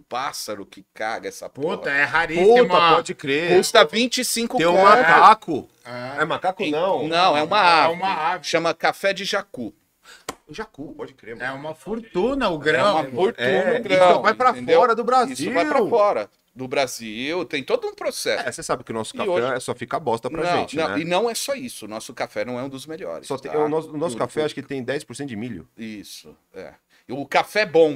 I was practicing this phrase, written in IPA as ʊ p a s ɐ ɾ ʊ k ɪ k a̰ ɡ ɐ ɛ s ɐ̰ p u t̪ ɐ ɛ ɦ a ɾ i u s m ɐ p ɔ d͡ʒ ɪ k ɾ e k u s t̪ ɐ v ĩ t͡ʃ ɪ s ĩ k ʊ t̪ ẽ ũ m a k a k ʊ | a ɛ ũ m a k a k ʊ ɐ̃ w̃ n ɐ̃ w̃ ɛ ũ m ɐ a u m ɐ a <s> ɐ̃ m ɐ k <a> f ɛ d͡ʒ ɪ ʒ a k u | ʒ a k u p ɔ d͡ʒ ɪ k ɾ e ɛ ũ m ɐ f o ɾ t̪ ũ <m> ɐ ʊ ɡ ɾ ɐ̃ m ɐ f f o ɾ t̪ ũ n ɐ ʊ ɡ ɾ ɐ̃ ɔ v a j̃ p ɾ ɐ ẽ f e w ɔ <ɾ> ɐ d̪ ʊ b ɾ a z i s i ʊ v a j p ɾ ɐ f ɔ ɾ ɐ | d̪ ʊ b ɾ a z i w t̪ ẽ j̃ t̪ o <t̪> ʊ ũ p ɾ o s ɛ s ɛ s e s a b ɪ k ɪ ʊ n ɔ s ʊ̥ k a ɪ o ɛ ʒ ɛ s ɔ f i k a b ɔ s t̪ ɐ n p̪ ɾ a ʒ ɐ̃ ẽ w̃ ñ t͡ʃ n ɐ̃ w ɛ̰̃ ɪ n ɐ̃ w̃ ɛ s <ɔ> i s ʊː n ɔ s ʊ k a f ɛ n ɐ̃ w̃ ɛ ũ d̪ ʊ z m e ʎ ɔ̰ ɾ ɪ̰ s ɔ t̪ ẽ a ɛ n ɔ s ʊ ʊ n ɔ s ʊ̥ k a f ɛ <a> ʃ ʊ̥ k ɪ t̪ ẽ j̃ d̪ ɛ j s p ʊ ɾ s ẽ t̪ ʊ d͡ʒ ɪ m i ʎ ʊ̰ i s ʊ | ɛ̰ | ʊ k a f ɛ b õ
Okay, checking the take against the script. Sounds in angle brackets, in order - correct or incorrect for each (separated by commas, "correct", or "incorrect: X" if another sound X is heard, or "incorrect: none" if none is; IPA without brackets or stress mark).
incorrect: ʃ, correct, incorrect: n, correct, incorrect: d̪, correct, correct